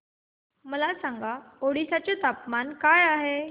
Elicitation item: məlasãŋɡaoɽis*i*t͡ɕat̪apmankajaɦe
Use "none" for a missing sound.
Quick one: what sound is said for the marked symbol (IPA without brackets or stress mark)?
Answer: a